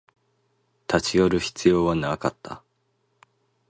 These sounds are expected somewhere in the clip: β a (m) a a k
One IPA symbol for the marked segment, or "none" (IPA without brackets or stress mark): n